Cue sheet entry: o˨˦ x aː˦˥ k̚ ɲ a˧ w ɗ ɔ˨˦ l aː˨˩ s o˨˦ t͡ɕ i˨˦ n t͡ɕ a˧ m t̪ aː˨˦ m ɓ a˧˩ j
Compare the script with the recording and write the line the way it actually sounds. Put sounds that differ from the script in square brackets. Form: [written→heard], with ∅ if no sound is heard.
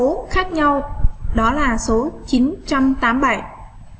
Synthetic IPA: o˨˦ x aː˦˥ k̚ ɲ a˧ w ɗ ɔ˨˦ l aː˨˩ s o˨˦ t͡ɕ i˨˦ n t͡ɕ a˧ m t̪ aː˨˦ m ɓ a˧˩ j